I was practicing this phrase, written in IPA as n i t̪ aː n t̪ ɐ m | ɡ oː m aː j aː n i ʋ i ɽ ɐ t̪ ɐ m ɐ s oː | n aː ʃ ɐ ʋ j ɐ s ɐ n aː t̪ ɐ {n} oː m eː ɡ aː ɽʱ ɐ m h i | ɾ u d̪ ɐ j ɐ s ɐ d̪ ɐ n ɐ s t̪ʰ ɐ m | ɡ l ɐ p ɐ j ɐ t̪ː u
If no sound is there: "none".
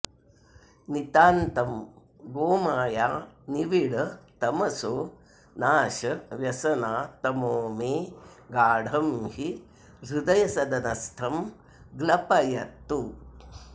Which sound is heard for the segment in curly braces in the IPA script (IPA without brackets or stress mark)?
m